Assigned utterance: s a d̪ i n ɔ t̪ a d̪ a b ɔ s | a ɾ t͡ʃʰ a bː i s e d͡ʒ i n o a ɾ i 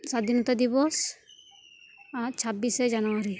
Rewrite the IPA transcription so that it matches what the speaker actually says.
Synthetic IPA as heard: s a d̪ i n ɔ t̪ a d̪ i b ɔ s | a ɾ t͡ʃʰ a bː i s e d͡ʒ a n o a ɾ i